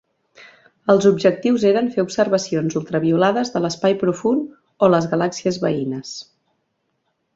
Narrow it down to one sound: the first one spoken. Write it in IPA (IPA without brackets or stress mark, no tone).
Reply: ə